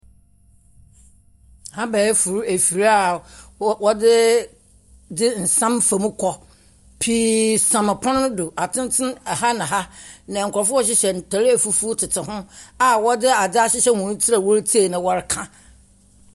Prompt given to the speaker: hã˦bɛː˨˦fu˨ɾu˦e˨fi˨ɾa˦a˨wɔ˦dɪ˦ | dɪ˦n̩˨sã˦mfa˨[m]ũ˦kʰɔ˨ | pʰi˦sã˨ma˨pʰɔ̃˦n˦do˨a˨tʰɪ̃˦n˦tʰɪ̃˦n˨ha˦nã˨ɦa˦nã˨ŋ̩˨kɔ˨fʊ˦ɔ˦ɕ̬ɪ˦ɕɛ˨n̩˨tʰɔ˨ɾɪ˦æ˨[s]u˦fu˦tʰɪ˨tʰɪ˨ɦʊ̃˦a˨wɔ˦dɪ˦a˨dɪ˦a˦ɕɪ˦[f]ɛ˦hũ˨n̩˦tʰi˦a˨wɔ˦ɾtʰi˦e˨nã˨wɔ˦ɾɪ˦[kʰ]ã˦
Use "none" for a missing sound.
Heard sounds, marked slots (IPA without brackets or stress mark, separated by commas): m, f, ɕ, kʰ